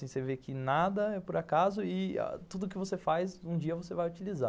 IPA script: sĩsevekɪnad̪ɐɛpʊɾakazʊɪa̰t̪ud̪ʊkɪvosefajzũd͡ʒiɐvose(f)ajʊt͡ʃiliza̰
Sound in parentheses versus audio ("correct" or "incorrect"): incorrect